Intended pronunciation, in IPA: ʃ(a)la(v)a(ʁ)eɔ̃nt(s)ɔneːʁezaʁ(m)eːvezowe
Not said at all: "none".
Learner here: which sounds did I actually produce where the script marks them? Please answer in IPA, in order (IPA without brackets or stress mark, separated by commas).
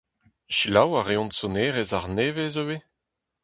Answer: i, w, ʁ, s, n